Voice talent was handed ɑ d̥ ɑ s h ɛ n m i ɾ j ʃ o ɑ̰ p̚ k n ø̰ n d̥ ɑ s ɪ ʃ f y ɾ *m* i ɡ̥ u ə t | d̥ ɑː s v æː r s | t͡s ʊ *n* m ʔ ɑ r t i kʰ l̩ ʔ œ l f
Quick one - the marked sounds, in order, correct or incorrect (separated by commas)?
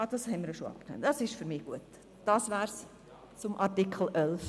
correct, incorrect